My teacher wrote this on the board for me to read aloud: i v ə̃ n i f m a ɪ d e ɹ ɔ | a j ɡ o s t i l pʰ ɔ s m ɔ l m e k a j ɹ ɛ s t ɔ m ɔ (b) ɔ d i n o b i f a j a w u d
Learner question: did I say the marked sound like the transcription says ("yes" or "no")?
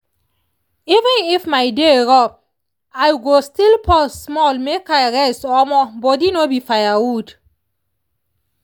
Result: yes